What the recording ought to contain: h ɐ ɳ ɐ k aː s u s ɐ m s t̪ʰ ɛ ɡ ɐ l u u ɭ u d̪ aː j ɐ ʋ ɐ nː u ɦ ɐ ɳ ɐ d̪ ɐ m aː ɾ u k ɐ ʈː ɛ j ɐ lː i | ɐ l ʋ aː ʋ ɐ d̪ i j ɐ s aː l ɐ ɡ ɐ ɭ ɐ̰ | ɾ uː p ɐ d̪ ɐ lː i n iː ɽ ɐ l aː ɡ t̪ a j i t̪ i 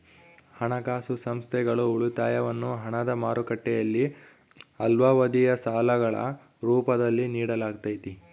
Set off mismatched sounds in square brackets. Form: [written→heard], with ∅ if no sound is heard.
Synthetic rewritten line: h ɐ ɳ ɐ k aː s u s ɐ m s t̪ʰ ɛ ɡ ɐ [l→ɭ] u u ɭ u [d̪→t̪] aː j ɐ ʋ ɐ nː u ɦ ɐ ɳ ɐ d̪ ɐ m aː ɾ u k ɐ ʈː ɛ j ɐ lː i | ɐ l ʋ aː ʋ ɐ d̪ i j ɐ s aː l ɐ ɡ ɐ ɭ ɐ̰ | ɾ uː p ɐ d̪ ɐ lː i n iː ɽ ɐ l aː ɡ t̪ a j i t̪ i